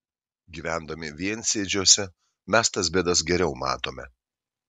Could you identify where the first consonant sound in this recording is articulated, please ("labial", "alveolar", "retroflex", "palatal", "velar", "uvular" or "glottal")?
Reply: velar